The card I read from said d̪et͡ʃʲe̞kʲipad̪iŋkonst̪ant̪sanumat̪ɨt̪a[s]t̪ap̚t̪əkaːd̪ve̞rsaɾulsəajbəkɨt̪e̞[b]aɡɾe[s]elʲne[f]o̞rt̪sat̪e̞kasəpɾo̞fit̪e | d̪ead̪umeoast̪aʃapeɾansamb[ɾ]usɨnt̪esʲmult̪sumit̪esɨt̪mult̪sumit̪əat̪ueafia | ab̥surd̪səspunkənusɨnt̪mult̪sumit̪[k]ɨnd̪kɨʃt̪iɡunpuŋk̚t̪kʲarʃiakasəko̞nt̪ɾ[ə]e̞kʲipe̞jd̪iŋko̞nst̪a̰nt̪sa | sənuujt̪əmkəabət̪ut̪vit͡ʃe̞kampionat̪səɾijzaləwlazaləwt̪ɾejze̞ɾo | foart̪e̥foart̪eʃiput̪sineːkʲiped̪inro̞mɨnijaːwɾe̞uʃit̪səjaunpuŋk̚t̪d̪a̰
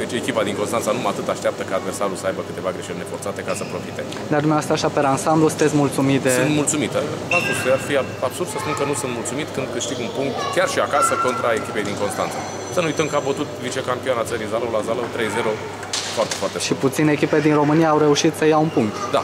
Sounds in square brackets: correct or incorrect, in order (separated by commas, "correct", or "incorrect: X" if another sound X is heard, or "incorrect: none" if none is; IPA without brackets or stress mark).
incorrect: ʃ, incorrect: v, incorrect: ʃ, correct, incorrect: l, correct, incorrect: a